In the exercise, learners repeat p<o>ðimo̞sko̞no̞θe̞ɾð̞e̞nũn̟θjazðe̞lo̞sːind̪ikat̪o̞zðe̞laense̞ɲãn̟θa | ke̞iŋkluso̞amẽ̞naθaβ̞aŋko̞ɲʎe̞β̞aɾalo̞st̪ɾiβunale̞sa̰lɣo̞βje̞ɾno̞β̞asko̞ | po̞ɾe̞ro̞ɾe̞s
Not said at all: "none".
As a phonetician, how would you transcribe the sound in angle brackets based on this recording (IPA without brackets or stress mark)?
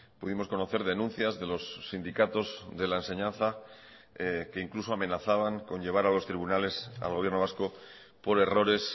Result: u